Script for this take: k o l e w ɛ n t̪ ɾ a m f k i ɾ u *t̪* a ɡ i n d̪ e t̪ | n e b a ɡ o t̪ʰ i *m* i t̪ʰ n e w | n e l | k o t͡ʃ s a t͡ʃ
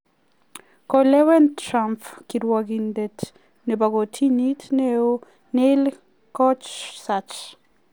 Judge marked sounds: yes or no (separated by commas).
no, no